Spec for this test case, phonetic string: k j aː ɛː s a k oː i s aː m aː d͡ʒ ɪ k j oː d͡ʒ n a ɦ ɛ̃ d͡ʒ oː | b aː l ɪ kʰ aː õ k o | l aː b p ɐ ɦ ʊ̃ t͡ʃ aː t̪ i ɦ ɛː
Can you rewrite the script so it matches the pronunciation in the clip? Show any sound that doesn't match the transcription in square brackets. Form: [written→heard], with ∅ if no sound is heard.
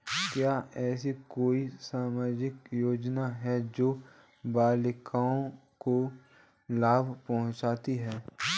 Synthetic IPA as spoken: k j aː ɛː s [a→i] k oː i s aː m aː d͡ʒ ɪ k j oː d͡ʒ n a ɦ [ɛ̃→ɛ] d͡ʒ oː | b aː l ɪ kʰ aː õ k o | l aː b p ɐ ɦ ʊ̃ t͡ʃ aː t̪ i ɦ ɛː